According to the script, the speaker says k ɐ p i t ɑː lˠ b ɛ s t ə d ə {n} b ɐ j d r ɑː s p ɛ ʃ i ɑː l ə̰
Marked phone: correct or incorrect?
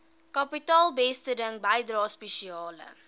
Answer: incorrect: ŋ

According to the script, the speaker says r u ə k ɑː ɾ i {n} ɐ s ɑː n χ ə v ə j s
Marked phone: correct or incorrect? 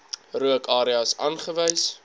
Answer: incorrect: none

